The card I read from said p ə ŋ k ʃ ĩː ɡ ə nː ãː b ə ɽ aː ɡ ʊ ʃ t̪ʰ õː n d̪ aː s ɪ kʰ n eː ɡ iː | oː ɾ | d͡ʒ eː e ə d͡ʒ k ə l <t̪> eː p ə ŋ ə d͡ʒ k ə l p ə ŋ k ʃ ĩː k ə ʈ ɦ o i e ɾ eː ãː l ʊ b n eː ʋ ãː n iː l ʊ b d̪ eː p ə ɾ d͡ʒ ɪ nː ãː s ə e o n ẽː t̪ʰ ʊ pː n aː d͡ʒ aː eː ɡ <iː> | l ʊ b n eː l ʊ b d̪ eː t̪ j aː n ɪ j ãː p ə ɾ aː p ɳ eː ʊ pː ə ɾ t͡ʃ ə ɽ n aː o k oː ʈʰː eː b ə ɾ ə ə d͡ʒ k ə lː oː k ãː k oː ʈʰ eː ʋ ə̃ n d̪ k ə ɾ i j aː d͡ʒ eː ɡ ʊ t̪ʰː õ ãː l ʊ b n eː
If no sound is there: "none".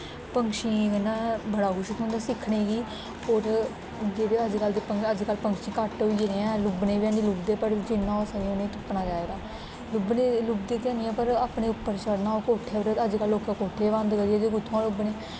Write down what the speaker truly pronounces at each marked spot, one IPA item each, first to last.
d̪, aː

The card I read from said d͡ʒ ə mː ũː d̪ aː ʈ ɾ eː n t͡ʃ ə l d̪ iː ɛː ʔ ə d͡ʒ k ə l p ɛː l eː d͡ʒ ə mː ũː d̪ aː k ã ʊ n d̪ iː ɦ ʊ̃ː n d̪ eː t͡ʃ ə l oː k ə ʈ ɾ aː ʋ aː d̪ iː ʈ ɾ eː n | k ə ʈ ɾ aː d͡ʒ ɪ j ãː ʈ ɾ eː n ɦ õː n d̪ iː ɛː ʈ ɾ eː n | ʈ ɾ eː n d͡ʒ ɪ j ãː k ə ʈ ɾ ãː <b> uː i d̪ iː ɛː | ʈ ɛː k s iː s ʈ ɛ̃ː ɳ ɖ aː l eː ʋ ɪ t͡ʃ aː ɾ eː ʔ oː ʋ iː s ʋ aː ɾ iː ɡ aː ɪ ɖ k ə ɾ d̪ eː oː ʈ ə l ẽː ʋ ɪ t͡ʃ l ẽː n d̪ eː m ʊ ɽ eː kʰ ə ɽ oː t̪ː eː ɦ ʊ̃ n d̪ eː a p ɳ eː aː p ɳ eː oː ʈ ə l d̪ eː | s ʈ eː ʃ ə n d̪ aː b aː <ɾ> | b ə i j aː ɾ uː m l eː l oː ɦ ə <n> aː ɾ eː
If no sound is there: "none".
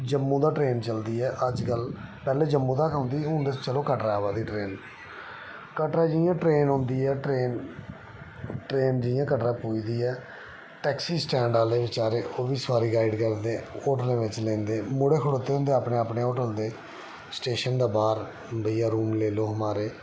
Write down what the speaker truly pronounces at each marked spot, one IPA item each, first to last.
p, ɾ, m

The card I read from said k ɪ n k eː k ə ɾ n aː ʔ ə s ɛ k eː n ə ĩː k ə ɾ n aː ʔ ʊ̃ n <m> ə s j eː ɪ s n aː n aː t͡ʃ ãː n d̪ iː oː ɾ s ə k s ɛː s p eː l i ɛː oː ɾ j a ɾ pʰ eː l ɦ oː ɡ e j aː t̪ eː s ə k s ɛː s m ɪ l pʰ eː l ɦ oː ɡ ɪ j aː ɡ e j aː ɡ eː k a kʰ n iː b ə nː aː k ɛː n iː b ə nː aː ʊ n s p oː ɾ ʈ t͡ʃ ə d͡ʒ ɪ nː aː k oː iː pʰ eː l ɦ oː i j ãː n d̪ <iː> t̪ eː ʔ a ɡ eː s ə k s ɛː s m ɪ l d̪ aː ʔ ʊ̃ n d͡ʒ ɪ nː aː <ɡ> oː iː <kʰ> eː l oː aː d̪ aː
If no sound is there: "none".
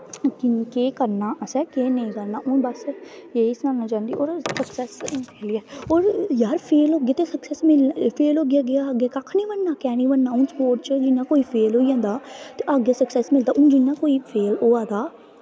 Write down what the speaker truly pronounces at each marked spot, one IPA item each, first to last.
b, aː, k, pʰ

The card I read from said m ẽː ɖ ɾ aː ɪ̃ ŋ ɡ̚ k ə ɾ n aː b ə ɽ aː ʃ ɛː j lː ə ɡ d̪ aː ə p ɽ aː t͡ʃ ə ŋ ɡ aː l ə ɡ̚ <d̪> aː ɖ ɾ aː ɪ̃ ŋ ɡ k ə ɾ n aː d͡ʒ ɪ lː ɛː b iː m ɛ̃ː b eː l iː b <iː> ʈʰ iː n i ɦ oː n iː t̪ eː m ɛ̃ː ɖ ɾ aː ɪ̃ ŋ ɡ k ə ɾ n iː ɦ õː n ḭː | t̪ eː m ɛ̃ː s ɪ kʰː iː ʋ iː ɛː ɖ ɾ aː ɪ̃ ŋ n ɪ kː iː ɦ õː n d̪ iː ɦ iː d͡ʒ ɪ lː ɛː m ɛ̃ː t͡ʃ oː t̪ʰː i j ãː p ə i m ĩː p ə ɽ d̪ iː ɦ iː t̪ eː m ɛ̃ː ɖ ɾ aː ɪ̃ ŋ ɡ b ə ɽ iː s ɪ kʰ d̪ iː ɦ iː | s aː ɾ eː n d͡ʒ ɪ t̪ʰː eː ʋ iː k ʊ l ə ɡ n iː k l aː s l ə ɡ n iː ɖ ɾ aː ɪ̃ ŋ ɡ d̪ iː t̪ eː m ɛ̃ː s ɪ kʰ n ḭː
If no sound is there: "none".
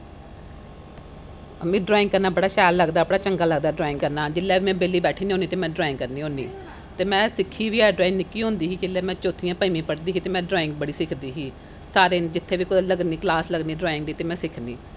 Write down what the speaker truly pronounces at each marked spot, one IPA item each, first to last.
d̪, ɛː

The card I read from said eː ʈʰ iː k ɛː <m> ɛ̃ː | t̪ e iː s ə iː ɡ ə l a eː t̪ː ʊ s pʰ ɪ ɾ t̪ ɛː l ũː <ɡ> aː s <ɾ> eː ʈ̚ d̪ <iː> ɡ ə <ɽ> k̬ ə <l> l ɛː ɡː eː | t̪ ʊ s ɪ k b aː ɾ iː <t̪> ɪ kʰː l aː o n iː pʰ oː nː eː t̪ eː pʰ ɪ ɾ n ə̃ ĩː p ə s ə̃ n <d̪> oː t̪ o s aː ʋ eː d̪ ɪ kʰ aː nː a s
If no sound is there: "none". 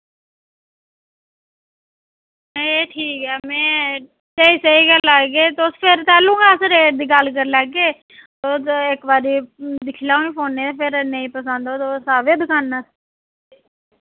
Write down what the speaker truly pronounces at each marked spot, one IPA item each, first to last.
m, ɡ, ɾ, iː, l, ɾ, d̪, d̪

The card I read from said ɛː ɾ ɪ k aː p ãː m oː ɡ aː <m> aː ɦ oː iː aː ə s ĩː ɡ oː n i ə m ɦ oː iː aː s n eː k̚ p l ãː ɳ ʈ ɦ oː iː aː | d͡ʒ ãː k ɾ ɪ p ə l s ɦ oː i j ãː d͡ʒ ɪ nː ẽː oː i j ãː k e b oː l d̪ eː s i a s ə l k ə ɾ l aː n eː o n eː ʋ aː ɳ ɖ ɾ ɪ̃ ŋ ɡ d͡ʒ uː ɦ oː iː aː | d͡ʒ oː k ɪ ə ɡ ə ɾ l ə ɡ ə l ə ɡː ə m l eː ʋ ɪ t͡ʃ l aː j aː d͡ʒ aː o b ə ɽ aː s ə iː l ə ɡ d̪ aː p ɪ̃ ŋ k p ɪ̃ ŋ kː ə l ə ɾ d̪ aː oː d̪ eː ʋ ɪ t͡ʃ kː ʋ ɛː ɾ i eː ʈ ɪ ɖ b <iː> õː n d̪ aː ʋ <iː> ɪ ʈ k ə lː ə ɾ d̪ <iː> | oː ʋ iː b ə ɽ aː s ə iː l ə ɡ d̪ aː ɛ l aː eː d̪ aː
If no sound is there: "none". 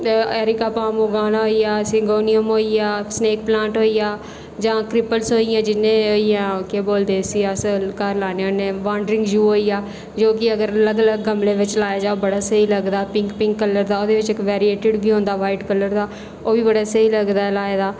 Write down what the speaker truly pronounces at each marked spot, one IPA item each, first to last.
n, iː, aː, aː

